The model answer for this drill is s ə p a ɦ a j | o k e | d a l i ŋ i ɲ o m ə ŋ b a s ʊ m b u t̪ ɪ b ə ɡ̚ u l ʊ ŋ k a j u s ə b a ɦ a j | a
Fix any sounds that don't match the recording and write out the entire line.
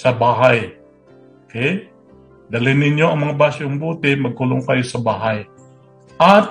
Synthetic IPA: s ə b a ɦ a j | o k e | d a l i n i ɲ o m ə ŋ b a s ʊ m b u t̪ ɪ m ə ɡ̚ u l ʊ ŋ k a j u s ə b a ɦ a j | a